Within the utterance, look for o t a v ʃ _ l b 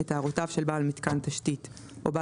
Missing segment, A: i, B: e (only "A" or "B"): B